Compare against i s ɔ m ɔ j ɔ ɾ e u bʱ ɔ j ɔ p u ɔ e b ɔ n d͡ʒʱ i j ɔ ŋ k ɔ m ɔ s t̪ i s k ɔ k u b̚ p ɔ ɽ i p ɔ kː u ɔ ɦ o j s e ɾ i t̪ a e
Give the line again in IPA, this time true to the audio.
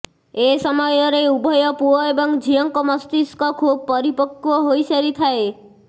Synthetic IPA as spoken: e s ɔ m ɔ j ɔ ɾ e u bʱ ɔ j ɔ p u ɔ e b ɔ ŋ d͡ʒʱ i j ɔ ŋ k ɔ m ɔ s t̪ i s k ɔ kʰ u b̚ p ɔ ɾ i p ɔ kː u ɔ ɦ o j s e ɾ i t̪ʰ a e